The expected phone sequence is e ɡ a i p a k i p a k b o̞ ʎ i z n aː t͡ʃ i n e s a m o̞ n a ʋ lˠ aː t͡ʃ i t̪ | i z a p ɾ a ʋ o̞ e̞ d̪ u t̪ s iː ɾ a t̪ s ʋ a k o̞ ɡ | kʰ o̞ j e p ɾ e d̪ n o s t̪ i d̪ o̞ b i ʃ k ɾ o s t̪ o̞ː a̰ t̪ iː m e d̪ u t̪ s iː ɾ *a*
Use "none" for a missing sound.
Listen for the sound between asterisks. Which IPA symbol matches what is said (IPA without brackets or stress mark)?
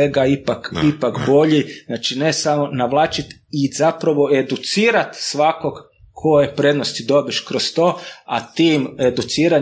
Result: a